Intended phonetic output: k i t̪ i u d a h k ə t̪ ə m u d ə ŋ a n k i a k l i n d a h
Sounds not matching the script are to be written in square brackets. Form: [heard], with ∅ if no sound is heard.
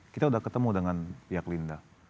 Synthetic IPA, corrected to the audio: k i t̪ [a] u d a h k ə t̪ ə m u d ə ŋ a n [p] i a k l i n d a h